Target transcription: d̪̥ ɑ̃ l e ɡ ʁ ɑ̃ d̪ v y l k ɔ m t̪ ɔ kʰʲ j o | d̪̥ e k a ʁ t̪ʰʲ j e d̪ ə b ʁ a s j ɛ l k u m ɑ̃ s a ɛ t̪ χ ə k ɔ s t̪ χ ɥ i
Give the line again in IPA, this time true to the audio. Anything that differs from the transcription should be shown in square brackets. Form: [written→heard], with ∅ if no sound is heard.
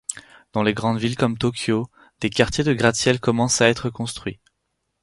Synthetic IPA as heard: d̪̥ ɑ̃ l e ɡ ʁ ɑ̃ d̪ v [y→i] l k ɔ m t̪ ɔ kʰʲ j o | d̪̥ e k a ʁ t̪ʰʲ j e d̪ ə [b→ɡ] ʁ a s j ɛ l k [u→ɔ] m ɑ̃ s a ɛ t̪ χ ə k [ɔ→ɔ̃] s t̪ χ ɥ i